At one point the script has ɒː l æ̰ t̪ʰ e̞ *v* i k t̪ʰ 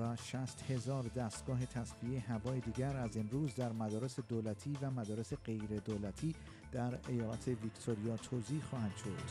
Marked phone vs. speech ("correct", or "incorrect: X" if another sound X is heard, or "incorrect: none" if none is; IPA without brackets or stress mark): correct